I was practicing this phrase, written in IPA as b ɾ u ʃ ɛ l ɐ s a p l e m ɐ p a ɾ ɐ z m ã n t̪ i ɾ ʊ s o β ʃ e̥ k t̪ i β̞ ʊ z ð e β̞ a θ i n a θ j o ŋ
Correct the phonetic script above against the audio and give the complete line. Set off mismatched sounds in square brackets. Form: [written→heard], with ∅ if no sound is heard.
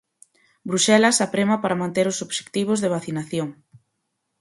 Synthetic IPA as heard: b ɾ u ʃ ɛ l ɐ s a p [l→ɾ] e m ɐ p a ɾ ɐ [z→∅] m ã n t̪ [i→e] ɾ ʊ s o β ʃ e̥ k t̪ i β̞ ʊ z ð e β̞ a θ i n a θ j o ŋ